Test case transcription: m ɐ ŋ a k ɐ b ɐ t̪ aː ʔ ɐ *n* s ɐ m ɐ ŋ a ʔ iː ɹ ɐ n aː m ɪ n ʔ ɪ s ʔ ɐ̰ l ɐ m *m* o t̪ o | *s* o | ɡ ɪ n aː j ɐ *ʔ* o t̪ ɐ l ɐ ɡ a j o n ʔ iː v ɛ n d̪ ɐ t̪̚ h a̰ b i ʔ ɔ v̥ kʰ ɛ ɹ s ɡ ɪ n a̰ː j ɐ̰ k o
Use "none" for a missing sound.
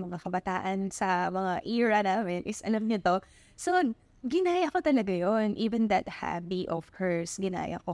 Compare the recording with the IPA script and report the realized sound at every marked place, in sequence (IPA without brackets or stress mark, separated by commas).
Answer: n, ɲ, s, k